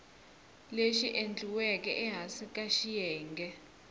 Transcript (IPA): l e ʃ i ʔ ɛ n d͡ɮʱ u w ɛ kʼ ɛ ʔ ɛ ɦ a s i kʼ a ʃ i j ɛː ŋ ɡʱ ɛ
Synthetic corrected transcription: l e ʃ i ʔ e n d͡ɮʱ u w ɛ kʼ ɛ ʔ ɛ ɦ a s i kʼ a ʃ i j ɛː ŋ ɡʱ ɛ